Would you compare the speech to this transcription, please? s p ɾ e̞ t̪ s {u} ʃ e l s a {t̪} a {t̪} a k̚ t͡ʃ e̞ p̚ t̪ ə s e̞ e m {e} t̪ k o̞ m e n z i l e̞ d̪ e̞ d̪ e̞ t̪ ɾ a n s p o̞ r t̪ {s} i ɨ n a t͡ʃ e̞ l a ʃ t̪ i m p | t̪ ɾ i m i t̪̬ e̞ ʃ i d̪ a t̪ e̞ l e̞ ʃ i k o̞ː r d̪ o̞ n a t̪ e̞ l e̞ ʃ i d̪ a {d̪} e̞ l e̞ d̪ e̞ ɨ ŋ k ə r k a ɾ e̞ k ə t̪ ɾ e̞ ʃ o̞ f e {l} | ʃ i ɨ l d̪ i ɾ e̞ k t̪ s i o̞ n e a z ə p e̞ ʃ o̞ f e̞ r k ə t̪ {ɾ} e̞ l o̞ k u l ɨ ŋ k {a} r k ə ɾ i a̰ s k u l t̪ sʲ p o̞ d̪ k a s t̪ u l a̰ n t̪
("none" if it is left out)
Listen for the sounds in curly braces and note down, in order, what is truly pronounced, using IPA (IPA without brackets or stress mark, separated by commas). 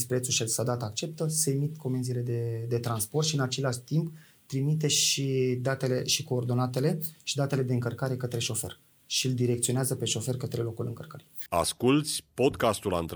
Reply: u, d̪, t̪, i, ʃ, t̪, r, ɾ, ə